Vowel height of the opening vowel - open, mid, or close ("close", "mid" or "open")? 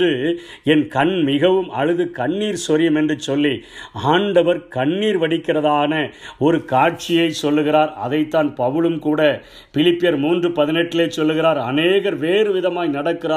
close